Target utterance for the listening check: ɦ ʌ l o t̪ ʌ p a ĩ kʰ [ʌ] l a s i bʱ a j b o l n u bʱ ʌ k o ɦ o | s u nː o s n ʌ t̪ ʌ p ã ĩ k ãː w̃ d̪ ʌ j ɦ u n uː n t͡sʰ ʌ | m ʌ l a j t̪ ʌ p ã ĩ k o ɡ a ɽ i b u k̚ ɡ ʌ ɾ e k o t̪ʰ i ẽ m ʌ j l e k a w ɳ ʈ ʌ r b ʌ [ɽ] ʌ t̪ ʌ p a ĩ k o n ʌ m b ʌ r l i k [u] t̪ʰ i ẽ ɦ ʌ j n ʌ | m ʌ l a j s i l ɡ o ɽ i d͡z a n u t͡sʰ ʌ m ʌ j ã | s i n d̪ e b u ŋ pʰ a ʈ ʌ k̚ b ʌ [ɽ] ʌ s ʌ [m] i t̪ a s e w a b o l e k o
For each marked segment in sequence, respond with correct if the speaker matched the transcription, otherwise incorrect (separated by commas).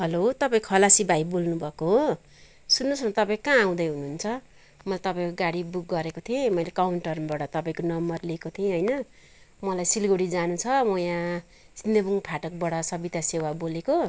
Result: correct, correct, incorrect, correct, incorrect